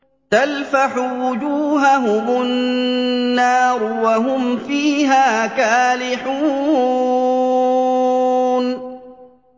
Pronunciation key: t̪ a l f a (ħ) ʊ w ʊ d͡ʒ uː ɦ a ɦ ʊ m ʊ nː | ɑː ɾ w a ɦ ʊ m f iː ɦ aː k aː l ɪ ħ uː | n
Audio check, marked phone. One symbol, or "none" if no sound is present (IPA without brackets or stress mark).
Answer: ħ